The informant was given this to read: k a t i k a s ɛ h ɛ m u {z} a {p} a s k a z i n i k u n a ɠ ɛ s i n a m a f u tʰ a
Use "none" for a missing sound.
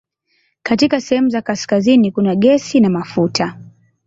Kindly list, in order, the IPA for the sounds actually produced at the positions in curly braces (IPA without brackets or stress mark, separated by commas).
z, k